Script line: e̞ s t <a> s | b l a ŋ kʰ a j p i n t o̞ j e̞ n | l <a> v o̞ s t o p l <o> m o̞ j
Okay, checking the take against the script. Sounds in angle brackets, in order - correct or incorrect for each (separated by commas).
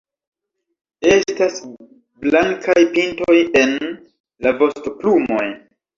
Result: correct, correct, incorrect